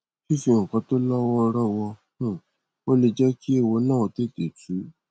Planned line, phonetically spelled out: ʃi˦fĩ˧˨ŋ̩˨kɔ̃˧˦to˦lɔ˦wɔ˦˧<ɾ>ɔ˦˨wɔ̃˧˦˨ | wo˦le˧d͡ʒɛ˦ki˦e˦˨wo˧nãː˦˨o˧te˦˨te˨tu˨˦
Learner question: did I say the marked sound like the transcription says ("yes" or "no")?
yes